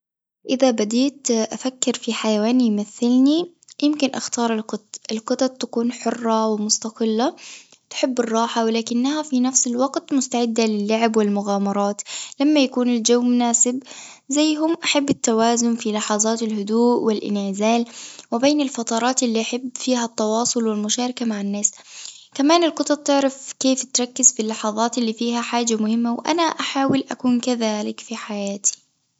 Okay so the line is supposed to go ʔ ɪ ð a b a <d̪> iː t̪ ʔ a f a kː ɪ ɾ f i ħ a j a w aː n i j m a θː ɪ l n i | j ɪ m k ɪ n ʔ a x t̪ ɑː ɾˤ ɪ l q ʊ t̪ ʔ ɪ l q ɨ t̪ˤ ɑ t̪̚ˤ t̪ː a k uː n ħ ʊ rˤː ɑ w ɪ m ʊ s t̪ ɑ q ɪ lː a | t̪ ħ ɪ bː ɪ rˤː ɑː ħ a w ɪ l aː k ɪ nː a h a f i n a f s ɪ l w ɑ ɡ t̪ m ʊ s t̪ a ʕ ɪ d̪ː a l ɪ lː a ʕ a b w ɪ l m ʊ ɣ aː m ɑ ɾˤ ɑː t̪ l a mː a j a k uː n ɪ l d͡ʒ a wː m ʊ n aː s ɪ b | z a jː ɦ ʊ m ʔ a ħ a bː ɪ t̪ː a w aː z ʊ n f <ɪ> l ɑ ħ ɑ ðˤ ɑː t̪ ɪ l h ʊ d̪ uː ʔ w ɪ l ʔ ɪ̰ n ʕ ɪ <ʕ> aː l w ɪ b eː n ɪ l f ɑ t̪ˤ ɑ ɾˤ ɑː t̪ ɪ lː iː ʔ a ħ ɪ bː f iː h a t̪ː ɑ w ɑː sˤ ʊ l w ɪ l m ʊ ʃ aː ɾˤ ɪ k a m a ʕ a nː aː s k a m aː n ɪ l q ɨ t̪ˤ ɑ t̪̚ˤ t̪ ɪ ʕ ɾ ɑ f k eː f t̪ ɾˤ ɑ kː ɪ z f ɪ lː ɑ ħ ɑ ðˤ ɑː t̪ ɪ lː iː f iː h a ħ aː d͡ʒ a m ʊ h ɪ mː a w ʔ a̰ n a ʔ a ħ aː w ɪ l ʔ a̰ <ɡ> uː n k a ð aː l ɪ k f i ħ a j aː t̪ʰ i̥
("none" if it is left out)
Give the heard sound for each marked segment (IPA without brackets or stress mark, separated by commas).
d̪, i, z, k